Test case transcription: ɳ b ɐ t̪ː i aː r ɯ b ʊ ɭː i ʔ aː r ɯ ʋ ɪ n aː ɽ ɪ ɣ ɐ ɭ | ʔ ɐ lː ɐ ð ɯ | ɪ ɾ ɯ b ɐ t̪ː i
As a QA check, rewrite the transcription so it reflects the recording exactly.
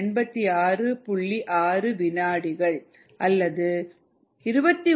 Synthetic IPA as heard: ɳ b ɐ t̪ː i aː r ɯ p ʊ ɭː i ʔ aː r ɯ ʋ ɪ n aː ɽ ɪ ɣ ɐ ɭ | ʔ ɐ lː ɐ ð ɯ | ɪ ɾ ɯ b ɐ t̪ː i